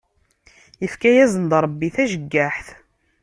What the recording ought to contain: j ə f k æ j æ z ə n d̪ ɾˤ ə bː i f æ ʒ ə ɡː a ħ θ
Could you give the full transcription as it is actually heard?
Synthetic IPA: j ə f k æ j æ z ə n d̪ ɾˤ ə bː i θ æ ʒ ə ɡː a ħ θ